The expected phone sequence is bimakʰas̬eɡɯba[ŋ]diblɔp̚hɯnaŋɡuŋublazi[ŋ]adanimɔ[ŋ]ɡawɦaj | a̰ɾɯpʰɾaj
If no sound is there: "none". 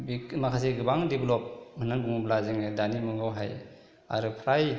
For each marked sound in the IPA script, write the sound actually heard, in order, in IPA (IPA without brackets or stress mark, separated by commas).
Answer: ŋ, ŋ, ŋ